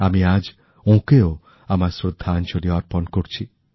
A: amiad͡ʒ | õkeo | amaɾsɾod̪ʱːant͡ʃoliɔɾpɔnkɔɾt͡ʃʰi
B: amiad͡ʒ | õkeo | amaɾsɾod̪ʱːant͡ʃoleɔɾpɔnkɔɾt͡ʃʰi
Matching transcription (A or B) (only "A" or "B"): A